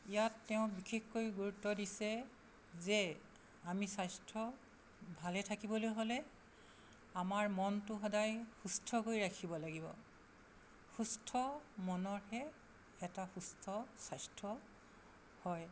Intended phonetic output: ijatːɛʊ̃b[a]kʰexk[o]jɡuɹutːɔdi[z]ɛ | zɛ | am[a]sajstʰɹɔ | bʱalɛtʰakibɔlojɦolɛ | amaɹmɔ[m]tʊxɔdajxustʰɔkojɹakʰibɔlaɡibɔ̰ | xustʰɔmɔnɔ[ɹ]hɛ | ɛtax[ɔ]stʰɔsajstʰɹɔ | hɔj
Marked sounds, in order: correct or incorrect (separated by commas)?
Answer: incorrect, correct, incorrect, incorrect, incorrect, correct, incorrect